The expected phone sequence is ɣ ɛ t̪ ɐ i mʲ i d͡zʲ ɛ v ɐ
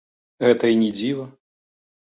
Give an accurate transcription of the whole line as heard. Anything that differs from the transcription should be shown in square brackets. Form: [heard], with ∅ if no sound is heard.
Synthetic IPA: ɣ ɛ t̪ ɐ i [nʲ] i d͡zʲ [i] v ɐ